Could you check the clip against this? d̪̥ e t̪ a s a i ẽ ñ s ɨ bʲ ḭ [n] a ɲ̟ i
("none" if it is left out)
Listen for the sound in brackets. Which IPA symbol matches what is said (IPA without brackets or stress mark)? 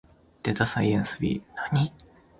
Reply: n